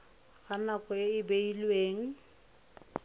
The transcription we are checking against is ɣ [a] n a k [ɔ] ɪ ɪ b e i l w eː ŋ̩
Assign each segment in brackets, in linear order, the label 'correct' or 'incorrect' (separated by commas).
correct, correct